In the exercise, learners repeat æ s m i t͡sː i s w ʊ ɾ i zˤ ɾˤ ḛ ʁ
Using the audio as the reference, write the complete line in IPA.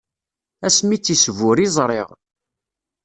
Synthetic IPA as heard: æ s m i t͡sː i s v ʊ ɾ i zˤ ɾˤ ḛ ʁ